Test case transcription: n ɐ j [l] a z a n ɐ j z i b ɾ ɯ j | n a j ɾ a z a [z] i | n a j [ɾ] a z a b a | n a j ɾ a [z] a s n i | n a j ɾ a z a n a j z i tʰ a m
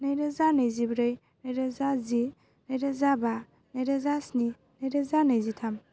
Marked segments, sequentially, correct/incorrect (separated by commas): incorrect, correct, correct, correct